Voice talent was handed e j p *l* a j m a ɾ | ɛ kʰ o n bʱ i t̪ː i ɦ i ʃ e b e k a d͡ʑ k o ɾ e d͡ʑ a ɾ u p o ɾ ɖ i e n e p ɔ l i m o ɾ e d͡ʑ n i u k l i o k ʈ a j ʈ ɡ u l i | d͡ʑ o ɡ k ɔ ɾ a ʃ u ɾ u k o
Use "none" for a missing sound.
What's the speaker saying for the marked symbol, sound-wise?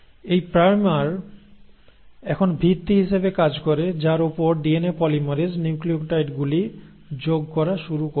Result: ɾ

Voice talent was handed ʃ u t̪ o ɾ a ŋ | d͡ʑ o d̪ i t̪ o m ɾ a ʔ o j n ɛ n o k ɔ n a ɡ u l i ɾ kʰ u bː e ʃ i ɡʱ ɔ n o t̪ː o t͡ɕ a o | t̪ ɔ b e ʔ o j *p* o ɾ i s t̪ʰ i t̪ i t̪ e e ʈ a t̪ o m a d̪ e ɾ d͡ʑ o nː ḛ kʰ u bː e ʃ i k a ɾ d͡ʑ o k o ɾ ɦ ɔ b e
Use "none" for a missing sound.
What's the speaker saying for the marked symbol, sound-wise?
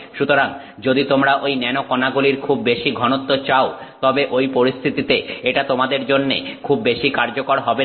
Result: p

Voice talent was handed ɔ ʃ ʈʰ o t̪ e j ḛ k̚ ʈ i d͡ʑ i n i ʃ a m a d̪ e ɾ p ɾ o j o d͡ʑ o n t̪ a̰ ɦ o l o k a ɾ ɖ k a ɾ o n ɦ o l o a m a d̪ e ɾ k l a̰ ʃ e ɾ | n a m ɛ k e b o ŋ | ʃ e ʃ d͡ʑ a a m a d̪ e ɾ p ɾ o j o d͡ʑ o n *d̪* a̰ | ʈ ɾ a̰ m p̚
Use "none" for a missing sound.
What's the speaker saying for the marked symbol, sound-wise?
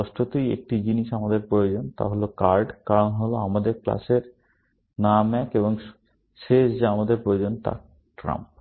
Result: t̪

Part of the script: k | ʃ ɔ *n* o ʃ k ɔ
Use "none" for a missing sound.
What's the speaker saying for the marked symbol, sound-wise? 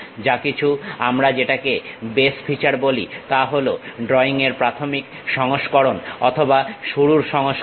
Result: ŋ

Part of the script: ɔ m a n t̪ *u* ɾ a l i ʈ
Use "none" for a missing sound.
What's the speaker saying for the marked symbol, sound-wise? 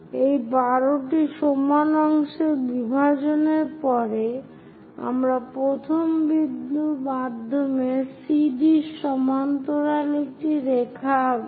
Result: o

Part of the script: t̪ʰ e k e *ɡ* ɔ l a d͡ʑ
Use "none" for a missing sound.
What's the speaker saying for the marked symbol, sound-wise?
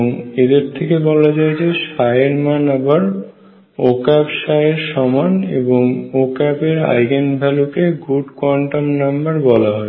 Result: b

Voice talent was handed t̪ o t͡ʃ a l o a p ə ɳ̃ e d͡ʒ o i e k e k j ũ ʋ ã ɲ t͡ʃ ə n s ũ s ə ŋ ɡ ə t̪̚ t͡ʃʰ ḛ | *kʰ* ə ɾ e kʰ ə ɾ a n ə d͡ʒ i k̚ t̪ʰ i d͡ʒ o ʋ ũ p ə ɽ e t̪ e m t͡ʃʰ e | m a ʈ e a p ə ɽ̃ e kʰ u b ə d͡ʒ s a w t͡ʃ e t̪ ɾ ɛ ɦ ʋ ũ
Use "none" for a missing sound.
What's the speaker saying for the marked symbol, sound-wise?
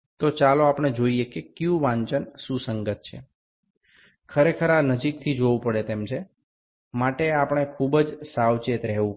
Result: kʰ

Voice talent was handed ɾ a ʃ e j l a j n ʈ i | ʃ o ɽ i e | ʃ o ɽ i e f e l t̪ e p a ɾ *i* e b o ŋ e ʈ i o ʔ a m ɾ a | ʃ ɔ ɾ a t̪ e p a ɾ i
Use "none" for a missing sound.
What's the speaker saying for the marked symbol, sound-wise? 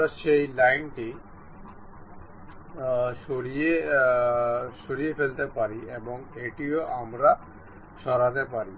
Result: i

